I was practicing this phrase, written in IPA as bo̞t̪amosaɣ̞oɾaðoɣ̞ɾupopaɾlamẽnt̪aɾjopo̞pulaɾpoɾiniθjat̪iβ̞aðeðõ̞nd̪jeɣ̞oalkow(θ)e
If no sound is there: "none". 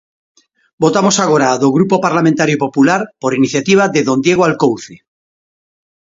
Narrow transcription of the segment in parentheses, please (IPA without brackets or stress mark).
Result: θ